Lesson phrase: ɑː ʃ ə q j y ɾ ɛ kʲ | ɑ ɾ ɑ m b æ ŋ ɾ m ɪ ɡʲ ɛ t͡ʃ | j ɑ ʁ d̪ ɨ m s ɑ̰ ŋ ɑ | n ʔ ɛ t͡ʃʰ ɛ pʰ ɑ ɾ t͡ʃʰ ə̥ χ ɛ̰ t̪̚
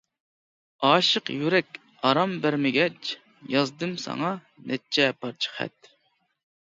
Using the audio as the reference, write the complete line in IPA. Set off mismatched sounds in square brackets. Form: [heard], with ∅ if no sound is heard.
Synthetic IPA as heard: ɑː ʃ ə q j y ɾ ɛ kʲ | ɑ ɾ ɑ m b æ [∅] ɾ m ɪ ɡʲ ɛ t͡ʃ | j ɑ [z] d̪ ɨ m s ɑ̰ ŋ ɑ | n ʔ ɛ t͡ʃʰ ɛ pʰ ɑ ɾ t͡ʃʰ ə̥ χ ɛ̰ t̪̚